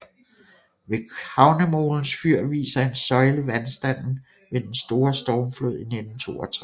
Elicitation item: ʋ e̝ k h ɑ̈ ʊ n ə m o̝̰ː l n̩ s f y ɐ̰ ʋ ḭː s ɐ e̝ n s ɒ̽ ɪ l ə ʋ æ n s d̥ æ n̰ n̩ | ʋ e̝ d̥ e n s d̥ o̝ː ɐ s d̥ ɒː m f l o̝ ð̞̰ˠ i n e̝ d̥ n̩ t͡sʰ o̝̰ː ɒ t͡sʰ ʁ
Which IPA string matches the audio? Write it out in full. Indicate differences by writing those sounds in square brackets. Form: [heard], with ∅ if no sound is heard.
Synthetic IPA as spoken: ʋ e̝ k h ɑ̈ ʊ n ə m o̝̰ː l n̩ s f y ɐ̰ ʋ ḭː s ɐ e̝ n s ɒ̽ ɪ l ə ʋ æ n s d̥ æ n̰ n̩ | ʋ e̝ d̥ e n s d̥ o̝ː ɐ s d̥ ɒː m f l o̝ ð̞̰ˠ i n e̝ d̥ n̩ t͡sʰ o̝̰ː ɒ t͡sʰ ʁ